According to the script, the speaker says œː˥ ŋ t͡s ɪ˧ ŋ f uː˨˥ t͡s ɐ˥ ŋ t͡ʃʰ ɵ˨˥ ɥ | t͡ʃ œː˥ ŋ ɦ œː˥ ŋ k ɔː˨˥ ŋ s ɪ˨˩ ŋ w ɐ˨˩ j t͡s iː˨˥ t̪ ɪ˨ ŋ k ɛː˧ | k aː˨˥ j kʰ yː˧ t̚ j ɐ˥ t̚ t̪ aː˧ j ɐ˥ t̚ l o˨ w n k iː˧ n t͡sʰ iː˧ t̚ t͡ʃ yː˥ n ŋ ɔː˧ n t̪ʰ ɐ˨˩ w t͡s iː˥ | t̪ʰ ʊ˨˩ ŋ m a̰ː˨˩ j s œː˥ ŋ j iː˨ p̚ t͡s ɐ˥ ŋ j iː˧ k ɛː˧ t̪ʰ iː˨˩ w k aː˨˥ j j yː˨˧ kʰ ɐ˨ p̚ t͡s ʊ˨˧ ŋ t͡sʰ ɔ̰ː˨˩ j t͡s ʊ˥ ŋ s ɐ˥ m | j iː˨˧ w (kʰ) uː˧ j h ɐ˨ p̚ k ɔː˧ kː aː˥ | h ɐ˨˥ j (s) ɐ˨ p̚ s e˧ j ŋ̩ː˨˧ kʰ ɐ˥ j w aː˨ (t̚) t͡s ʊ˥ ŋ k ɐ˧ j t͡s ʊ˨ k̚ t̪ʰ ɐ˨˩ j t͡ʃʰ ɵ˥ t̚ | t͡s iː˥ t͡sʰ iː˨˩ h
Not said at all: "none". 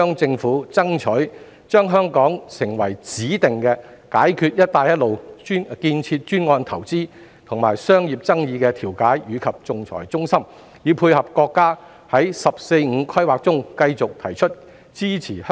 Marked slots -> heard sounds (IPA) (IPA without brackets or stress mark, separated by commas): pʰ, s, k̚